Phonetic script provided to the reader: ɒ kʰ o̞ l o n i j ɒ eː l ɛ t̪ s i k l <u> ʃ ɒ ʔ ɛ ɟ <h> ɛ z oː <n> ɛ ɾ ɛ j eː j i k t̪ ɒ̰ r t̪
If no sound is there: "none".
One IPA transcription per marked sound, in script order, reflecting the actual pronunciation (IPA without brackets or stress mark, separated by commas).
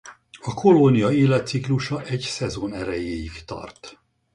u, s, n